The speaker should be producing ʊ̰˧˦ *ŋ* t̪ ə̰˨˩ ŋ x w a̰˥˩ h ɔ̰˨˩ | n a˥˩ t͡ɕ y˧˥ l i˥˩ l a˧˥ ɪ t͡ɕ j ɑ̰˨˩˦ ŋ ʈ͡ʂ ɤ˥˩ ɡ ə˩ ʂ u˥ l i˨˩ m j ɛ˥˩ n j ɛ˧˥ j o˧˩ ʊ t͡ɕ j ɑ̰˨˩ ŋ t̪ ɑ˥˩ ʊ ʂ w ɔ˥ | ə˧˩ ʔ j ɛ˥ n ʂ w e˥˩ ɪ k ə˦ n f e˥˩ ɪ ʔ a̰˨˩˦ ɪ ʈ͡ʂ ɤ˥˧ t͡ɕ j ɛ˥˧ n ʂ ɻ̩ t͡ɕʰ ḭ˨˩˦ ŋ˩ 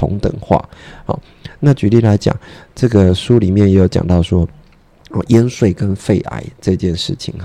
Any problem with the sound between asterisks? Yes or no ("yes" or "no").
no